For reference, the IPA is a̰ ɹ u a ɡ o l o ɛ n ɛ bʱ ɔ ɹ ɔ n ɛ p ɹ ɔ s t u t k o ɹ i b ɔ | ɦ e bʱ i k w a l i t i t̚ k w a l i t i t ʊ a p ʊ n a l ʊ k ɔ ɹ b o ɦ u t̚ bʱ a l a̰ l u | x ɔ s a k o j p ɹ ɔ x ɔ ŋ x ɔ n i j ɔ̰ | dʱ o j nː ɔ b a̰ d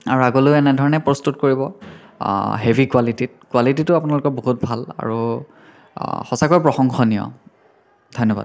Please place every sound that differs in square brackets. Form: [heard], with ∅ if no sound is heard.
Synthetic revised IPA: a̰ ɹ u a ɡ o l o ɛ n ɛ [dʱ] ɔ ɹ ɔ n ɛ p ɹ ɔ s t u t k o ɹ i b ɔ | ɦ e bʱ i k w a l i t i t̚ k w a l i t i t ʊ a p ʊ n a l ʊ k ɔ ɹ b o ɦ u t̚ bʱ a l a̰ [ɹ] u | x ɔ s a k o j p ɹ ɔ x ɔ ŋ x ɔ n i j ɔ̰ | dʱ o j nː ɔ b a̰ d